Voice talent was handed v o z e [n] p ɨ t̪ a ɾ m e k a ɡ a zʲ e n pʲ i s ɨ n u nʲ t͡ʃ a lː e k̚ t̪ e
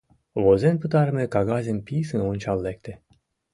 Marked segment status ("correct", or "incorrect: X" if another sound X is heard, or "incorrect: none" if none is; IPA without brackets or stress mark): correct